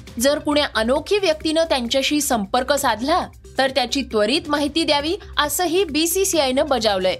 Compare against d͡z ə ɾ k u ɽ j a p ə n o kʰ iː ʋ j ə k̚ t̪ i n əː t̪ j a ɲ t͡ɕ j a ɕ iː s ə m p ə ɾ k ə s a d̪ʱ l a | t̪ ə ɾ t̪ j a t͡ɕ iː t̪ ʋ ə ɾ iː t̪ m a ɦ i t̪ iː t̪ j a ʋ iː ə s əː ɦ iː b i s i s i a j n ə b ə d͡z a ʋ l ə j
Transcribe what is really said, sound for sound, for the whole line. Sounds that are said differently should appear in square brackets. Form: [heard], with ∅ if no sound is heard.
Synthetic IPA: d͡z ə ɾ k u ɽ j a [ʔ] ə n o kʰ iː ʋ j ə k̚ t̪ i n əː t̪ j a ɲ t͡ɕ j a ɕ iː s ə m p ə ɾ k ə s a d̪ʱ l a | t̪ ə ɾ t̪ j a t͡ɕ iː t̪ ʋ ə ɾ iː t̪ m a ɦ i t̪ iː [d̪] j a ʋ iː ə s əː ɦ iː b i s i s i a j n ə b ə d͡z a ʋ l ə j